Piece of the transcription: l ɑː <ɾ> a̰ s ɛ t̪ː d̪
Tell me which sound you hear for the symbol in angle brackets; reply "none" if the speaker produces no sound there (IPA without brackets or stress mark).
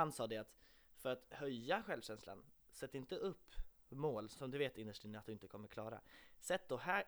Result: ɾ